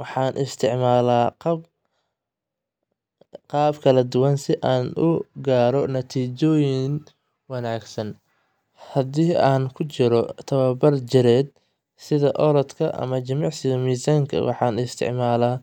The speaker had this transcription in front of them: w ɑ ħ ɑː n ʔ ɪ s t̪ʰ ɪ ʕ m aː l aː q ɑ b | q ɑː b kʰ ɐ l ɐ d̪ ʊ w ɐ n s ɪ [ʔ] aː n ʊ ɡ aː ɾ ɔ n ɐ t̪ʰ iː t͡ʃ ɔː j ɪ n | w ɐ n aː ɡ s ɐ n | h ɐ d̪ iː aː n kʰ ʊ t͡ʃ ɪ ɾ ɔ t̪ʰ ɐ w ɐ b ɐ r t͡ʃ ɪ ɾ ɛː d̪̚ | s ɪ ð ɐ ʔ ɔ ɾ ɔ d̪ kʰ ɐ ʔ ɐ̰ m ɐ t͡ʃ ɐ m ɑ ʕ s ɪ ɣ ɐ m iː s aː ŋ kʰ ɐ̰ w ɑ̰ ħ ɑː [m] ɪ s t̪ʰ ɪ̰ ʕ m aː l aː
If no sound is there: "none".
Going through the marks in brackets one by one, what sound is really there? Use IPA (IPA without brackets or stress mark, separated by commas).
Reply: ʔ, n